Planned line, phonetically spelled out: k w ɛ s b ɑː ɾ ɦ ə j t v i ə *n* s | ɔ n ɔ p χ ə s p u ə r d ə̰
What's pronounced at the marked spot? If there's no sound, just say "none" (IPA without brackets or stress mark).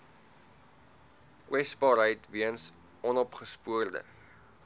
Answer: n